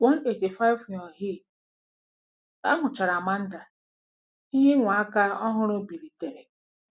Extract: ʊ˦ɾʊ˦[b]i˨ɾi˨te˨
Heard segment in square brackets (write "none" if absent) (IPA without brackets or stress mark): b